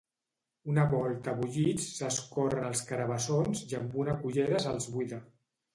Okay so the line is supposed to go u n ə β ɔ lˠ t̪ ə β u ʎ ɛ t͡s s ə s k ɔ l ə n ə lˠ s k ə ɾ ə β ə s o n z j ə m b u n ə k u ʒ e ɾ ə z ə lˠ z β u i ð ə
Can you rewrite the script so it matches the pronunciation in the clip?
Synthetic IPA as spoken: u n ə β ɔ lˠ t̪ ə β u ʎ i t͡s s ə s k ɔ r ə n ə lˠ s k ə ɾ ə β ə s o n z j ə m b u n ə k u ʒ e ɾ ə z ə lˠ z β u i ð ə

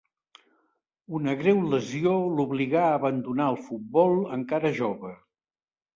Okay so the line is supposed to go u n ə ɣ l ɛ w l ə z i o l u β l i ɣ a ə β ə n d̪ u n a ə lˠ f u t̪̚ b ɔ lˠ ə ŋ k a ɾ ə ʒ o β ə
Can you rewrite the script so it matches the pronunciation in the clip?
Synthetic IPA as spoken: u n ə ɣ ɾ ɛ w l ə z i o l u β l i ɣ a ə β ə n d̪ u n a ə lˠ f u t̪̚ b ɔ lˠ ə ŋ k a ɾ ə ʒ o β ə

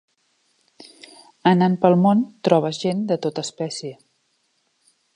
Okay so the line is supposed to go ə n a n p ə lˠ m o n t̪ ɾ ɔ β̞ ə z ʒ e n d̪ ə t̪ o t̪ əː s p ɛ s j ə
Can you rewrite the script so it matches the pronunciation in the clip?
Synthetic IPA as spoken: ə n a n p ə lˠ m o n t̪ ɾ ɔ β̞ ə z ʒ e n d̪ ə t̪ o t̪ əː s p ɛ s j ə

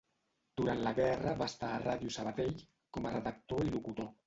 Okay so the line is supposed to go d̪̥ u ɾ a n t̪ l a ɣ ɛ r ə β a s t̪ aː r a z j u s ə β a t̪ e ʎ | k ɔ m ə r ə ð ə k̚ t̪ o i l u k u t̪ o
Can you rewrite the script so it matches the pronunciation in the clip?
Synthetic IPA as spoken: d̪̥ u ɾ a n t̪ l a ɣ ɛ r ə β a s t̪ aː r a ð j u s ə β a t̪ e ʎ | k ɔ m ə r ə ð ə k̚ t̪ o i l u k u t̪ o

